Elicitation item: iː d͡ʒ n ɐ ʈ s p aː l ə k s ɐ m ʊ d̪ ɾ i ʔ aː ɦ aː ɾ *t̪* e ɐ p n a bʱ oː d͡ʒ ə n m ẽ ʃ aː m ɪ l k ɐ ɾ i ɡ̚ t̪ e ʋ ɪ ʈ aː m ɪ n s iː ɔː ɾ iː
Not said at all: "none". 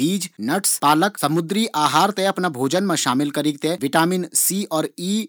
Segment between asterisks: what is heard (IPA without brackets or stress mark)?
t̪